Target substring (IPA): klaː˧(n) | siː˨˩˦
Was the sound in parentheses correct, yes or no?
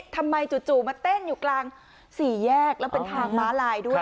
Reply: no